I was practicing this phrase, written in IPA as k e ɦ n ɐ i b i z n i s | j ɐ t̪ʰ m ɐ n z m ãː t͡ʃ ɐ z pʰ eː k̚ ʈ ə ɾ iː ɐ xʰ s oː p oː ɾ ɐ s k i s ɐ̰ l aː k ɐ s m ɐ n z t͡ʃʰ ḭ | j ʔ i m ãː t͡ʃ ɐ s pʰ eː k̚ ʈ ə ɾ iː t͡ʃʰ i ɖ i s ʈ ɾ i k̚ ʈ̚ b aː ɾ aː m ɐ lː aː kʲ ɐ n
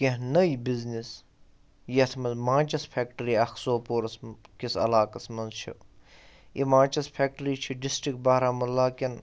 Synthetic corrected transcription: k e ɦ n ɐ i b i z n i s | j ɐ t̪ʰ m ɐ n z m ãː t͡ʃ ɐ s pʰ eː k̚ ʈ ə ɾ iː ɐ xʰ s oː p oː ɾ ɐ s k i s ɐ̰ l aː k ɐ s m ɐ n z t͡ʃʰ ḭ | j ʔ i m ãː t͡ʃ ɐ s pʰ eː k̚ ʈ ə ɾ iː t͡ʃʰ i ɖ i s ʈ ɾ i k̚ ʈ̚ b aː ɾ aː m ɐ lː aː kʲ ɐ n